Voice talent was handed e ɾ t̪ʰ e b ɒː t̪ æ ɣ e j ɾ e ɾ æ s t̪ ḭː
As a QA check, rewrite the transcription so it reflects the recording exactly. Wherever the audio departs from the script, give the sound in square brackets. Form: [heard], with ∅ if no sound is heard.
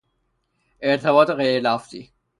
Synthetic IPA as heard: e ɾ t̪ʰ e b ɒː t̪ [e] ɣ e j ɾ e [l] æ [f] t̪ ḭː